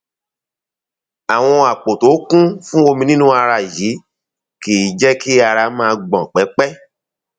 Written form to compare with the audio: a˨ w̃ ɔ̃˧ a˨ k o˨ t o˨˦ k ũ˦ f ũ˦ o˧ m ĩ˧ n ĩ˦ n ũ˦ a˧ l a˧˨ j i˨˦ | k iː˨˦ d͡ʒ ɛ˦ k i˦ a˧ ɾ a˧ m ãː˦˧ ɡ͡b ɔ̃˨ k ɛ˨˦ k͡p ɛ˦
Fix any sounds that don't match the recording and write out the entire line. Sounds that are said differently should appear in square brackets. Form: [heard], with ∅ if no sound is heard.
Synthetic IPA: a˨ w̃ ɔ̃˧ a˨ [k͡p] o˨ t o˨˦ k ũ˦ f ũ˦ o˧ m ĩ˧ n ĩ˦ n ũ˦ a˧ [ɾ] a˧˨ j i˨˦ | k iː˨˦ d͡ʒ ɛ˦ k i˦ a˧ ɾ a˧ m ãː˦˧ ɡ͡b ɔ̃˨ [k͡p] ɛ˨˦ k͡p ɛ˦